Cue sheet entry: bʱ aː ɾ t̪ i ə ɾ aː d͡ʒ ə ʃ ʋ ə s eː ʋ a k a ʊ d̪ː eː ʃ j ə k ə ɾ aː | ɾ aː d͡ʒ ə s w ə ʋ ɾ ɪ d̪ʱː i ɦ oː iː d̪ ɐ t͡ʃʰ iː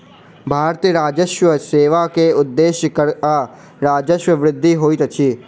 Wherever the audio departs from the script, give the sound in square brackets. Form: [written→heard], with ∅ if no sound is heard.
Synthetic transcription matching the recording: bʱ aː ɾ t̪ i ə ɾ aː d͡ʒ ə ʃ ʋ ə s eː ʋ a k [a→e] ʊ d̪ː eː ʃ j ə k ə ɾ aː | ɾ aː d͡ʒ ə [s→ʃ] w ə ʋ ɾ ɪ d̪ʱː i ɦ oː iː [d̪→t̪] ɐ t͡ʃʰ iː